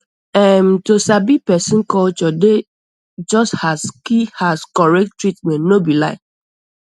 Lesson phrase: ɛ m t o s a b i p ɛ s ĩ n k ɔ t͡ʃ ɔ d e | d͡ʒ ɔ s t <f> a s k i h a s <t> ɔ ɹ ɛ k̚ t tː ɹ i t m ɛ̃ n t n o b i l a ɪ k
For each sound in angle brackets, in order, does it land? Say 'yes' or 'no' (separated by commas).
no, no